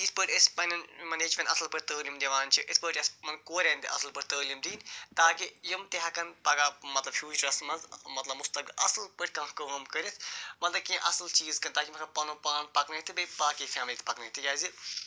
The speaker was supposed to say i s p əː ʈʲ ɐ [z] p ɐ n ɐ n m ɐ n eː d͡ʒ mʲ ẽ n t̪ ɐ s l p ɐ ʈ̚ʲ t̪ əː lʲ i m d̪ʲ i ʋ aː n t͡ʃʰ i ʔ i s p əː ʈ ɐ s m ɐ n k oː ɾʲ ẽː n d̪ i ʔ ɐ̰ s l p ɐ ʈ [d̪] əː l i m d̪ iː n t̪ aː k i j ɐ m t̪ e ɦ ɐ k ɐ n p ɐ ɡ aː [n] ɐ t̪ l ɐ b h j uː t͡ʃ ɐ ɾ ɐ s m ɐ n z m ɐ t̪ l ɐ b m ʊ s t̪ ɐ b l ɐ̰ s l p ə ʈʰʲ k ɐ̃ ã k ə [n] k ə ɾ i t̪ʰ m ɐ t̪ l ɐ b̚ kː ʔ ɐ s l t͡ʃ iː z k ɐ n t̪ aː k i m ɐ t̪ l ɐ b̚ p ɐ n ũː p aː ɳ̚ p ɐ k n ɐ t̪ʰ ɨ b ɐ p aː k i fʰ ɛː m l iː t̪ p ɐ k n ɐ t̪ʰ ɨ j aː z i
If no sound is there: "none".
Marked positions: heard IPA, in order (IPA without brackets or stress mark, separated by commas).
s, t̪, m, m